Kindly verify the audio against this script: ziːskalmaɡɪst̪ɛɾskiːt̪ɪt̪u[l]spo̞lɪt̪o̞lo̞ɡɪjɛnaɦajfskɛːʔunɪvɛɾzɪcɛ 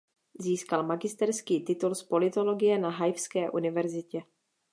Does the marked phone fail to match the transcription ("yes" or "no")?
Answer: no